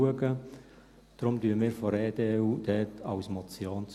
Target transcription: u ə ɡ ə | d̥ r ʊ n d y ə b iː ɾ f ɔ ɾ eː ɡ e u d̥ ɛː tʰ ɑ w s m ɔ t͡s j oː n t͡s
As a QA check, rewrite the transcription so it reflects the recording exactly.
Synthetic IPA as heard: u ə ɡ ə | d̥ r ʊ m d y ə m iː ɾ f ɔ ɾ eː d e u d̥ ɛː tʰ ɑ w s m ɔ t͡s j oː n t͡s